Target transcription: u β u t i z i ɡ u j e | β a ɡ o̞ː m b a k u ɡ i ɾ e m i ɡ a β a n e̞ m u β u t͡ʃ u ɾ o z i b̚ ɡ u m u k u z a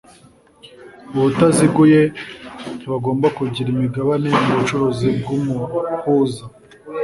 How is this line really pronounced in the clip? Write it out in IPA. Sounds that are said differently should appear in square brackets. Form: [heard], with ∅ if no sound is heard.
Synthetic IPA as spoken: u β u t [a] z i ɡ u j e | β a ɡ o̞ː m b a k u [ɟ] i ɾ [i] m i ɡ a β a n e̞ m u β u t͡ʃ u ɾ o z i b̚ ɡ u m u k u z a